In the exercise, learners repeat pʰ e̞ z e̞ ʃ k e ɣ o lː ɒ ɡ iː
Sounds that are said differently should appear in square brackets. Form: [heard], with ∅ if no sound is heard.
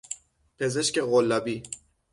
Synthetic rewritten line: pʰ e̞ z e̞ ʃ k e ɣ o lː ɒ [b] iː